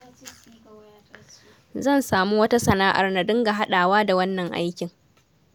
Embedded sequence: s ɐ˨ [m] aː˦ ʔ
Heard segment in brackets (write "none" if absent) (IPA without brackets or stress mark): n